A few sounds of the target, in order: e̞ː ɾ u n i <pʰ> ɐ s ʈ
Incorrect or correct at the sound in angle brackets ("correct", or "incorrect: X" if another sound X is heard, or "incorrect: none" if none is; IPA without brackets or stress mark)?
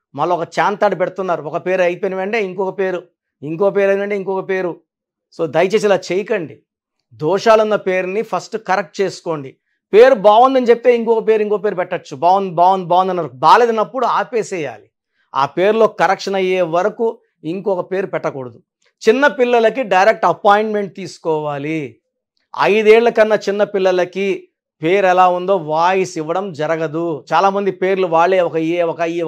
correct